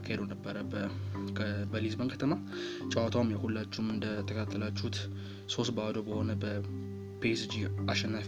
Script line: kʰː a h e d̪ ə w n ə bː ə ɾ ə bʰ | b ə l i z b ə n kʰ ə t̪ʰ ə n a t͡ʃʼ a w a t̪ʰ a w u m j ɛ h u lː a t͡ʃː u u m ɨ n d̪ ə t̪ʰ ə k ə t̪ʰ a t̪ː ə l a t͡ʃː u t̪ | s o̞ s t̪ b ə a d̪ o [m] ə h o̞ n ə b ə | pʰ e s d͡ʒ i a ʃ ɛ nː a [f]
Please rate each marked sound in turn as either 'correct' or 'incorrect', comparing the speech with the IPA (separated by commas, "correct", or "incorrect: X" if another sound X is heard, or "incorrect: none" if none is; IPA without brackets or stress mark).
incorrect: b, correct